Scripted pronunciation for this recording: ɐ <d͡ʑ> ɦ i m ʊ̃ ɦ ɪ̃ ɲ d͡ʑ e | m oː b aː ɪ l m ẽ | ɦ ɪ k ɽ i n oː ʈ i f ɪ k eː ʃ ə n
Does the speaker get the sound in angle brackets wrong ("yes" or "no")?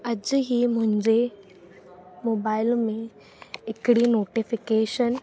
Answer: no